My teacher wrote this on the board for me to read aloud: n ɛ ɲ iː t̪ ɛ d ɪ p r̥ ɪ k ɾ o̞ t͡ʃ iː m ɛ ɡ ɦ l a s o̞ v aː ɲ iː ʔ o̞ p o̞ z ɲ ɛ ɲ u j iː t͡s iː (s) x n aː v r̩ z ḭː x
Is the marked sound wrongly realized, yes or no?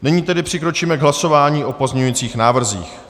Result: yes